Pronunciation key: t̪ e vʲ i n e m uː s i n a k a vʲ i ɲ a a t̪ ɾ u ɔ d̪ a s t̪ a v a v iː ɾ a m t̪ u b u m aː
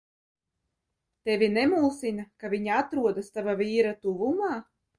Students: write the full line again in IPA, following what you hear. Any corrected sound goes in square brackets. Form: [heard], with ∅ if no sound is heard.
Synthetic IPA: t̪ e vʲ i n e m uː s i n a k a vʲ i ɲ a a t̪ ɾ u ɔ d̪ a s t̪ a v a v iː ɾ a [∅] t̪ u [v] u m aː